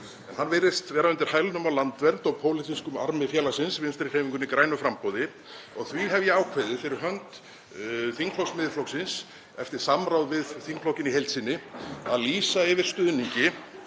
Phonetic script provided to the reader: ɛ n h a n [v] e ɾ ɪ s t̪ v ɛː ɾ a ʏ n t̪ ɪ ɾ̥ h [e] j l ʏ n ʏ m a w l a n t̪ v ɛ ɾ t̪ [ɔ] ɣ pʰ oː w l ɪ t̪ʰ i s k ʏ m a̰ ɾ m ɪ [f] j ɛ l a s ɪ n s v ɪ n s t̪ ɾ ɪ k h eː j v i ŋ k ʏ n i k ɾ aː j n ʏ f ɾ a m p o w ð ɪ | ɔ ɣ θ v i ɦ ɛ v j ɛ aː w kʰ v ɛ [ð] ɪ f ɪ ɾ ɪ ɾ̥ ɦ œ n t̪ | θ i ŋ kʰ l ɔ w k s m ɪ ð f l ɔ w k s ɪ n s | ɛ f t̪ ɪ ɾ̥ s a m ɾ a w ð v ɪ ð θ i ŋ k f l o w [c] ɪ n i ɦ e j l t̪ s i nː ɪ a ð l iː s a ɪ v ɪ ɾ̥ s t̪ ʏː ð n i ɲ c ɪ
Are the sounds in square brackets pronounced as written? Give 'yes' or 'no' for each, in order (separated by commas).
yes, no, yes, yes, yes, yes